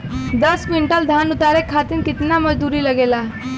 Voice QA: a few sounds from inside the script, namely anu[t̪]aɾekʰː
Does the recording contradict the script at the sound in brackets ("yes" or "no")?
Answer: no